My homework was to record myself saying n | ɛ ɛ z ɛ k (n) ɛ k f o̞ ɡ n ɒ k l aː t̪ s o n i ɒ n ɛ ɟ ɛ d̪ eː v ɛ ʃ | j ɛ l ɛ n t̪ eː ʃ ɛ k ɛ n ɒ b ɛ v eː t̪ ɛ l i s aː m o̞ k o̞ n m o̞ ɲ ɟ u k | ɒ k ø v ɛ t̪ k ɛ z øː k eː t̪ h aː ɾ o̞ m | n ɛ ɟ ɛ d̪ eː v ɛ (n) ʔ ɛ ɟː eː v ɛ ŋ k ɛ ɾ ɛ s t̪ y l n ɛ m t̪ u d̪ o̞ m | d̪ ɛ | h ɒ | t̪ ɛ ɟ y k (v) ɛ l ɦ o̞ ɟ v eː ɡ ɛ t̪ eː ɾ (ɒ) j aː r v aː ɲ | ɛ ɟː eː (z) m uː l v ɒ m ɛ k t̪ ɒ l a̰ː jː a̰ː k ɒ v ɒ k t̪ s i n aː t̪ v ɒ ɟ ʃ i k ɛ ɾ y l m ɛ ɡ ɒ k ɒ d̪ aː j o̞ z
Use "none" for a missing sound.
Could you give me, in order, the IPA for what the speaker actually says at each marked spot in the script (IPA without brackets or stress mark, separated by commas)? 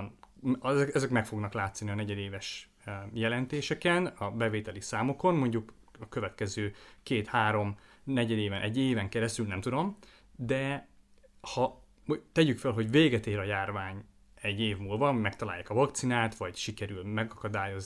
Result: m, n, f, ɒ, v